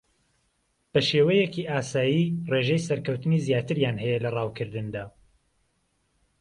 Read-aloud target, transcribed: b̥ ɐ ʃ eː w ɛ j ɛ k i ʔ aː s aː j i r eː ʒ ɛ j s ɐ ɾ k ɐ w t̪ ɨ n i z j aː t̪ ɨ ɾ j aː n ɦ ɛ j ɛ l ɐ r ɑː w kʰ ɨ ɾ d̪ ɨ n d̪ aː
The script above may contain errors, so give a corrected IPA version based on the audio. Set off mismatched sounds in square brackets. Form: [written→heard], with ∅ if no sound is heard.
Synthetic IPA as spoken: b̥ ɐ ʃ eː w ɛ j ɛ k i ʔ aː s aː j i r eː ʒ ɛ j s ɐ ɾ k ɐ w t̪ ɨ n i z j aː t̪ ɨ ɾ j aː n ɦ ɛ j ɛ l ɐ r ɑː w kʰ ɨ ɾ d̪ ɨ n d̪ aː